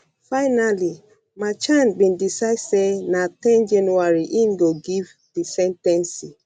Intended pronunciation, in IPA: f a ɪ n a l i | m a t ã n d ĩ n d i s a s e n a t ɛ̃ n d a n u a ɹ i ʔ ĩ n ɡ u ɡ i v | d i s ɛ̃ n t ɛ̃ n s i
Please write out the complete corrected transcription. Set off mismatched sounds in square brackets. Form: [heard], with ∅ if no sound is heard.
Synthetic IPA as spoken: f a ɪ n a l i | m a [t͡ʃ] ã n [b] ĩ n d i s a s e n a t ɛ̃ n [d͡ʒ] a n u a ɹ i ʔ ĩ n ɡ [o] ɡ i v | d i s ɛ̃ n t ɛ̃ n s i